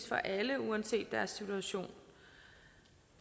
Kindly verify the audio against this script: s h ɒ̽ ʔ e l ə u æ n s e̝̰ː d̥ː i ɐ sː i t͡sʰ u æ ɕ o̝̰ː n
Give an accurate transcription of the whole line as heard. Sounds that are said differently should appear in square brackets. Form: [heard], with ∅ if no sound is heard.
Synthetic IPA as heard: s [f] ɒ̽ ʔ [æ] l ə u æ n s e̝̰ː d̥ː [æ] ɐ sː i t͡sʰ u æ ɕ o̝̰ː n

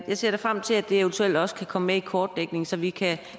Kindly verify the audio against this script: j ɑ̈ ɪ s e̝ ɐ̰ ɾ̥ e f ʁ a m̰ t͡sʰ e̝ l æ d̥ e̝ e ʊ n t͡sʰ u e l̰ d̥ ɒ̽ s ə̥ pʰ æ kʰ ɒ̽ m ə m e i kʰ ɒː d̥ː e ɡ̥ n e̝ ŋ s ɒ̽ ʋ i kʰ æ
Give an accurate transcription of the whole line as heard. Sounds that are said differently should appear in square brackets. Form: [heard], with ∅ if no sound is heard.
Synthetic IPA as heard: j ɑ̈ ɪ s e̝ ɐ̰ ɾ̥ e f ʁ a m̰ t͡sʰ e̝ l æ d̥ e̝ e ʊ n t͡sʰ u e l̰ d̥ ɒ̽ s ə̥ [kʰ] æ kʰ ɒ̽ m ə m e i kʰ ɒː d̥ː e ɡ̥ n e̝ ŋ s ɒ̽ ʋ i kʰ æ

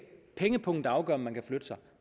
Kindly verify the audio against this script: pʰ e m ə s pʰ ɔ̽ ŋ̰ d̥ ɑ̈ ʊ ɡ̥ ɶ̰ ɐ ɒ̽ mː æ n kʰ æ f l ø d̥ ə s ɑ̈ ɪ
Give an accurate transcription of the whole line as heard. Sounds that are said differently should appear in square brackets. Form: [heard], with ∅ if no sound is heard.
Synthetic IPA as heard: pʰ e [ŋ] ə [∅] pʰ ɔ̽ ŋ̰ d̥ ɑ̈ ʊ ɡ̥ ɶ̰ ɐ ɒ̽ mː æ n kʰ æ f l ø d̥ ə s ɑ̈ ɪ

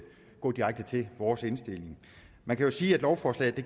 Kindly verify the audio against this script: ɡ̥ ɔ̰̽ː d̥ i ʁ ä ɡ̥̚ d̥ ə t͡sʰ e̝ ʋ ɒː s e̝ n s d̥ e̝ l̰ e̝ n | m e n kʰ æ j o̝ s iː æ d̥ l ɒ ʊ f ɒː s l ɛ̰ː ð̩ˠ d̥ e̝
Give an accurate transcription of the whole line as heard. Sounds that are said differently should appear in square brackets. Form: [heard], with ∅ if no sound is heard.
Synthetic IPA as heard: ɡ̥ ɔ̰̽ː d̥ i ʁ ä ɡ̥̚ d̥ ə t͡sʰ e̝ ʋ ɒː s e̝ n s d̥ e̝ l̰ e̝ [ŋ] | m [æ] n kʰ æ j o̝ s iː æ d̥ l ɒ ʊ f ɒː s l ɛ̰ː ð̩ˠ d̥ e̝

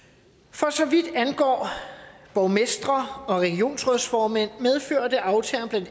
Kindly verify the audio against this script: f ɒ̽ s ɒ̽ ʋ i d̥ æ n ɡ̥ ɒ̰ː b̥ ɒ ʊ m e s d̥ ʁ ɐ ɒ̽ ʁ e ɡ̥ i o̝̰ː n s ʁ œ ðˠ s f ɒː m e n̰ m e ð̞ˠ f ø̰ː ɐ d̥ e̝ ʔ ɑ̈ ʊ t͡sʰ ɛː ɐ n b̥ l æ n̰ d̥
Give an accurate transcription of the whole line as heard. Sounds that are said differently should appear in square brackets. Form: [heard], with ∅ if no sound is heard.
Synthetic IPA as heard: f ɒ̽ s ɒ̽ ʋ i d̥ æ n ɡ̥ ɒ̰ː b̥ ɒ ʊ m e s d̥ ʁ ɐ ɒ̽ ʁ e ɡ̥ i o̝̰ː n s ʁ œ ðˠ s f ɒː m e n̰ m e ð̞ˠ f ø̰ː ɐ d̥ e̝ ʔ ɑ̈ ʊ t͡sʰ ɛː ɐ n b̥ l æ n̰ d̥

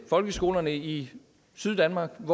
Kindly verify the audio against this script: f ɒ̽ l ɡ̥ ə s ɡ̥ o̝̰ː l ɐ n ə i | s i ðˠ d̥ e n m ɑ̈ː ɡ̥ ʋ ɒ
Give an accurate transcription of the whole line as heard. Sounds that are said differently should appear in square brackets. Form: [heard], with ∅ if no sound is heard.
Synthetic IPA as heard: f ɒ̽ l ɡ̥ ə s ɡ̥ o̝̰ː l ɐ n ə i | s [y] ðˠ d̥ [æ] n m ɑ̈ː ɡ̥ ʋ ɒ

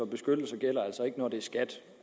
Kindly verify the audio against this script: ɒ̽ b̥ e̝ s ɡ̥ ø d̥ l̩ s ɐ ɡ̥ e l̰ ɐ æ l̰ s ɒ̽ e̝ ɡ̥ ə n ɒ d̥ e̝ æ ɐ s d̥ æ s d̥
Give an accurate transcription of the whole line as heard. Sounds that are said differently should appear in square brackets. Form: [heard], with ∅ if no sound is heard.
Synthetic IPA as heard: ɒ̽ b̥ e̝ s ɡ̥ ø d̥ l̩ s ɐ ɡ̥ e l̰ ɐ æ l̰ s ɒ̽ e̝ ɡ̥ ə n ɒ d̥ e̝ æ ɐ s [ɡ̥] æ [∅] d̥

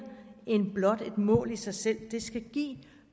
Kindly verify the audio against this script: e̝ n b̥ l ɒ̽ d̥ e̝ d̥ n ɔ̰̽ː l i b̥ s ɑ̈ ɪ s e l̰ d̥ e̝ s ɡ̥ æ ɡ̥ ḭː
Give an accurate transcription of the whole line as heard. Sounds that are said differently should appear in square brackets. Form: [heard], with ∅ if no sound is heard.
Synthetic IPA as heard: e̝ n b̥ l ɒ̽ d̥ e̝ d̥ [m] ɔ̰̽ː l i [∅] s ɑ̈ ɪ s e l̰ d̥ e̝ s ɡ̥ æ ɡ̥ ḭː

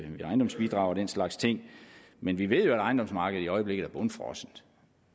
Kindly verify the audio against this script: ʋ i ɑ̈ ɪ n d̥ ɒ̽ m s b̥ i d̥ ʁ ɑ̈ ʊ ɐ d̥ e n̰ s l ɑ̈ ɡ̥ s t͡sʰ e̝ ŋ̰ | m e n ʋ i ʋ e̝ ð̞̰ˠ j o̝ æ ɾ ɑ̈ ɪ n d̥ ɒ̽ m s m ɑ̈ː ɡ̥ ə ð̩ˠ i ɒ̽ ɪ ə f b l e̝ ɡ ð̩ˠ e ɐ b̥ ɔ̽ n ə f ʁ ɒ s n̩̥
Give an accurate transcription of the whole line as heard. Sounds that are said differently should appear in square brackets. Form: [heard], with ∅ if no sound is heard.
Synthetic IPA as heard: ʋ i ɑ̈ ɪ n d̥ ɒ̽ m s b̥ i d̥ ʁ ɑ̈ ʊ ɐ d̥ e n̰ s l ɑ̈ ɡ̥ s t͡sʰ e̝ ŋ̰ | m e n ʋ i ʋ e̝ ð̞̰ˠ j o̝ æ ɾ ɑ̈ ɪ n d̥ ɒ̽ m s m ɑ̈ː ɡ̥ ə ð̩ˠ i ɒ̽ ɪ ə [∅] b l e̝ ɡ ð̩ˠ [æ] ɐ b̥ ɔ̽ n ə f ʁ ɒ s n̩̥

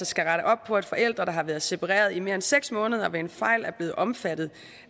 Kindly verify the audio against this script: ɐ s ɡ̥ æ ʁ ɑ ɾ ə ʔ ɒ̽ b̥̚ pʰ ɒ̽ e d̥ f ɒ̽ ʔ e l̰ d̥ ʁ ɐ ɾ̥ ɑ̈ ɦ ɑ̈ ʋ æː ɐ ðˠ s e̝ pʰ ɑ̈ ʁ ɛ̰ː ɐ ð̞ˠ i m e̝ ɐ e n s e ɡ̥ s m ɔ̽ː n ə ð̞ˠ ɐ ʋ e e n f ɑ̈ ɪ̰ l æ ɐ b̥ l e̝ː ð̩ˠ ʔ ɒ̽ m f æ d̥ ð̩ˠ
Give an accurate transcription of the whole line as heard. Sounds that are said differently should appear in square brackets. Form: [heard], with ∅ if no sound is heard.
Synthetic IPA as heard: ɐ s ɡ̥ æ ʁ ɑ ɾ ə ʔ ɒ̽ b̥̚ pʰ ɒ̽ e d̥ f ɒ̽ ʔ e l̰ d̥ ʁ ɐ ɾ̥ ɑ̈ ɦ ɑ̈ ʋ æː ɐ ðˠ s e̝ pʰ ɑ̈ ʁ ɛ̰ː ɐ ð̞ˠ i m e̝ ɐ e n s e ɡ̥ s m ɔ̽ː n ə ð̞ˠ ɐ ʋ e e n f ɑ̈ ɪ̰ l æ ɐ b̥ l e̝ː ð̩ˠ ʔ ɒ̽ m f æ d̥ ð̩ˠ

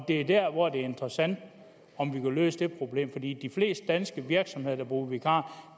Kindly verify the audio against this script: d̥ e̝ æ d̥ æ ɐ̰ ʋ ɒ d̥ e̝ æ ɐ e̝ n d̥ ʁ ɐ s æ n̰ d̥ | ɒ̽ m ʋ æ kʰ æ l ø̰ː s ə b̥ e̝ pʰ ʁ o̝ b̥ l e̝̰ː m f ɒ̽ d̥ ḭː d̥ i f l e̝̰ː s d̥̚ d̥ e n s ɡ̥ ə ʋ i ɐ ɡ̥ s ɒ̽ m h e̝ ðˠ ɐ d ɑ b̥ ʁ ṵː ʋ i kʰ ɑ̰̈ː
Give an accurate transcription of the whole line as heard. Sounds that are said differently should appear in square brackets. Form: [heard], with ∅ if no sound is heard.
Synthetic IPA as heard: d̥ e̝ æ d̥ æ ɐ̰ ʋ ɒ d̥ e̝ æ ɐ e̝ n d̥ ʁ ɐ s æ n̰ d̥ | ɒ̽ m ʋ [i] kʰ æ l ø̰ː s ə [d̥] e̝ pʰ ʁ o̝ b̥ l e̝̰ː m f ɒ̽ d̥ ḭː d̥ i f l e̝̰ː s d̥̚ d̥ [æ] n s ɡ̥ ə ʋ i ɐ ɡ̥ s ɒ̽ m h e̝ ðˠ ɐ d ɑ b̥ ʁ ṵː ʋ i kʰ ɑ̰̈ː

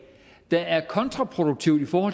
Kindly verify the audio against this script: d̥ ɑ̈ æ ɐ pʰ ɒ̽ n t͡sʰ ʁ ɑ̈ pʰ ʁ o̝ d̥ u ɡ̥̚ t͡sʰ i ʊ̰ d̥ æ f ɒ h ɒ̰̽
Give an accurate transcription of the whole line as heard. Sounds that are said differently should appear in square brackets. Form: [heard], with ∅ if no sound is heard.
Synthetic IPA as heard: d̥ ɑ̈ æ ɐ [kʰ] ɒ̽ n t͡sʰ ʁ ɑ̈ pʰ ʁ o̝ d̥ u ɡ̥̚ t͡sʰ i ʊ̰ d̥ [i] f [ɒː] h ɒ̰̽

